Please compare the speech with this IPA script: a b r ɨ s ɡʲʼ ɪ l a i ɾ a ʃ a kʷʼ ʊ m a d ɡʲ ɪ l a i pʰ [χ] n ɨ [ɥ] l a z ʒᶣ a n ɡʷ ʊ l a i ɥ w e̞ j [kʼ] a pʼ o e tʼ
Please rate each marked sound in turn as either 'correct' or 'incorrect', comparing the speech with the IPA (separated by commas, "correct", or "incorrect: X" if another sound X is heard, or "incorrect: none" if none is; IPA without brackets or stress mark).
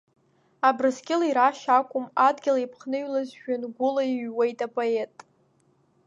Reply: correct, correct, incorrect: tʼ